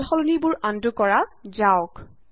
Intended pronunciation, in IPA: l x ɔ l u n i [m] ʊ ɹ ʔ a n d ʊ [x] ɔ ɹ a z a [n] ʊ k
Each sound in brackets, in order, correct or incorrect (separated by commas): incorrect, incorrect, incorrect